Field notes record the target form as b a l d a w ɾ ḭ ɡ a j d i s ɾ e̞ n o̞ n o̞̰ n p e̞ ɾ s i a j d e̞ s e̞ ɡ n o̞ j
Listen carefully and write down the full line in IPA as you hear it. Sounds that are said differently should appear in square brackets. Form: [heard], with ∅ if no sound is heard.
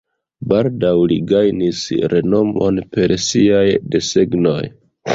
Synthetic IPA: b a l d a w [l] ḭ ɡ a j [n] i s ɾ e̞ n o̞ [m] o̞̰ n p e̞ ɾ s i a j d e̞ s e̞ ɡ n o̞ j